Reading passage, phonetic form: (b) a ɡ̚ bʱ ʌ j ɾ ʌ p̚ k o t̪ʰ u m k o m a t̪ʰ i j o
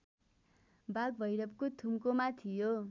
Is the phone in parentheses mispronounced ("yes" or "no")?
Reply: no